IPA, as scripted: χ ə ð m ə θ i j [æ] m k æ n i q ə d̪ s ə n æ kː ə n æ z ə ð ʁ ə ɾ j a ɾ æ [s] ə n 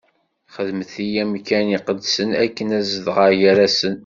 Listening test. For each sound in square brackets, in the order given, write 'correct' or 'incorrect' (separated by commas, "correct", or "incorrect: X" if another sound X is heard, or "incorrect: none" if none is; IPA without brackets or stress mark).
correct, correct